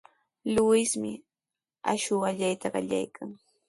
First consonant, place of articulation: alveolar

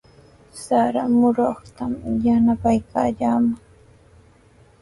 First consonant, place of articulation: alveolar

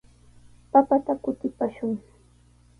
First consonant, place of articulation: labial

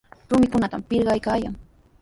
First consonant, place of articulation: alveolar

